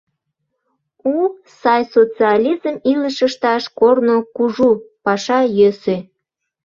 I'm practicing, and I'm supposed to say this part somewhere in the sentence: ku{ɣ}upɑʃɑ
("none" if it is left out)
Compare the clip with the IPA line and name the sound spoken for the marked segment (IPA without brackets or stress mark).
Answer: ʒ